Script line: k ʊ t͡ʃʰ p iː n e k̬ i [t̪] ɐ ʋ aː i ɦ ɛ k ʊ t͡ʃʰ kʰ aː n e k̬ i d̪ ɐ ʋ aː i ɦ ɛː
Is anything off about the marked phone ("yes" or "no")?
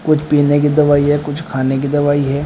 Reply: yes